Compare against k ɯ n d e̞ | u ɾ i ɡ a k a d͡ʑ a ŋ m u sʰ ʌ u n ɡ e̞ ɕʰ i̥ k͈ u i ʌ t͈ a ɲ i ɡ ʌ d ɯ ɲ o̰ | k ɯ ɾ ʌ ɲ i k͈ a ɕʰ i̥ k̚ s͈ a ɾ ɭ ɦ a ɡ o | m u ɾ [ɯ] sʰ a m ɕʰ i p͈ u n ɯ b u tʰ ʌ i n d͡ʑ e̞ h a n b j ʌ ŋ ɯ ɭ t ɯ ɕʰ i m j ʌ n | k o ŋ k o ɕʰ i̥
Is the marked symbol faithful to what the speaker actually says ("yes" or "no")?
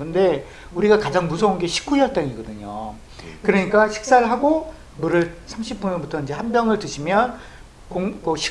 yes